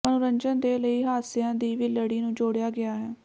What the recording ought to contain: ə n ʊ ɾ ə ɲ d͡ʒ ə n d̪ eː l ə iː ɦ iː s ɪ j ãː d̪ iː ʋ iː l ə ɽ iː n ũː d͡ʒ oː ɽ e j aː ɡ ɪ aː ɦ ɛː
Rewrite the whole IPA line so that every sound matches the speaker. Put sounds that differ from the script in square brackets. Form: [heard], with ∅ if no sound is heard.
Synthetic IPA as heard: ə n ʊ ɾ ə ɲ d͡ʒ ə n d̪ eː l ə iː ɦ [aː] s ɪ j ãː d̪ iː ʋ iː l ə ɽ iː n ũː d͡ʒ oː ɽ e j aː ɡ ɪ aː ɦ ɛː